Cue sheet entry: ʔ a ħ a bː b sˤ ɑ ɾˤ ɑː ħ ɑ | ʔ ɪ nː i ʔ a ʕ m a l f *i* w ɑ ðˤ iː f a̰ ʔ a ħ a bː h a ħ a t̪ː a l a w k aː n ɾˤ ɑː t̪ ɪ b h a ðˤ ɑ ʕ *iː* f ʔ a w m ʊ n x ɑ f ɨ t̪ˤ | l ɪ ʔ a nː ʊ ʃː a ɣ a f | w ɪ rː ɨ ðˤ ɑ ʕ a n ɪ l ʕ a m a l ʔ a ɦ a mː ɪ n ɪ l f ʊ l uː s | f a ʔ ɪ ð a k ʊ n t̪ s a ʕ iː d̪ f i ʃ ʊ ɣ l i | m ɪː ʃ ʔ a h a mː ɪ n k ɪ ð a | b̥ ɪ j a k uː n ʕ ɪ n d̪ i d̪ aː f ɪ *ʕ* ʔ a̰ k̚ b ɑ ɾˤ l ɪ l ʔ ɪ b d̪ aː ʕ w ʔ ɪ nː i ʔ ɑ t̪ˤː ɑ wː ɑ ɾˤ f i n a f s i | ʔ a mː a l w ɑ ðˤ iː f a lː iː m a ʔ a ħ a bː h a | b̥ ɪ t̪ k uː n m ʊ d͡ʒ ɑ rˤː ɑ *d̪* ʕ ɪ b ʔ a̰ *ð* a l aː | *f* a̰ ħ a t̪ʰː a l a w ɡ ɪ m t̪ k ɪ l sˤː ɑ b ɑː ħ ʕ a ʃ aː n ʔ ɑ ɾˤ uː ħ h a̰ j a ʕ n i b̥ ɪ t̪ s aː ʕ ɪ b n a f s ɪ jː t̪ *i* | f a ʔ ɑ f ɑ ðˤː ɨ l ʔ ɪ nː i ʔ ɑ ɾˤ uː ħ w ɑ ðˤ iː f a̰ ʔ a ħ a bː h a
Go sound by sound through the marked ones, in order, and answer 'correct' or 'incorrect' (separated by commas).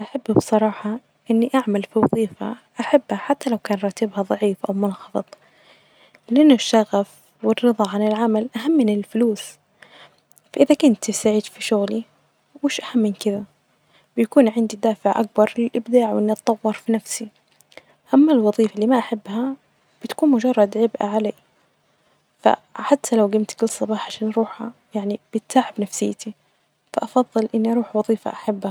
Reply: correct, correct, correct, correct, incorrect, correct, correct